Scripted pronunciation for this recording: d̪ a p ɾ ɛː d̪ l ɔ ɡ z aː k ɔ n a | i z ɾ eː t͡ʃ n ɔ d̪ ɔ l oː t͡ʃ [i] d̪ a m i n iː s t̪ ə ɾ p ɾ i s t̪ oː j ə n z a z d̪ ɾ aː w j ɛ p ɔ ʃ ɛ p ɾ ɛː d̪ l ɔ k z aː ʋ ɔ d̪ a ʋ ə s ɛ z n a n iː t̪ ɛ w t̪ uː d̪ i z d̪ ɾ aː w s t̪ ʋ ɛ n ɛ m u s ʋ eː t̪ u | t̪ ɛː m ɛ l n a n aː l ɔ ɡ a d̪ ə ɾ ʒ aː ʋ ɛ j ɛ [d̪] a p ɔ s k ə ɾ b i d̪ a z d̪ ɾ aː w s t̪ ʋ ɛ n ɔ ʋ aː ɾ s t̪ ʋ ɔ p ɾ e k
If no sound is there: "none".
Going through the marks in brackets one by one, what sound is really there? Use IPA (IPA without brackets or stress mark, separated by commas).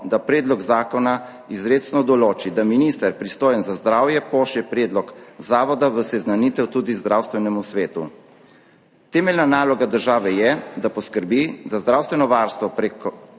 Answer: i, d̪